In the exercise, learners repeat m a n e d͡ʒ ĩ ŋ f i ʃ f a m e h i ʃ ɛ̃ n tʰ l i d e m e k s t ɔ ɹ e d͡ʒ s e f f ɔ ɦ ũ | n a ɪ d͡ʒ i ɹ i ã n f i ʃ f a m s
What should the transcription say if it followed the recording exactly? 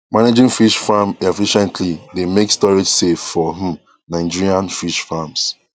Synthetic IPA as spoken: m a n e d͡ʒ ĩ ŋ f i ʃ f a m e f i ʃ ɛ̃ n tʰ l i d e m e k s t ɔ ɹ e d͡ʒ s e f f ɔ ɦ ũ | n a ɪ d͡ʒ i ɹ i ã n f i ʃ f a m s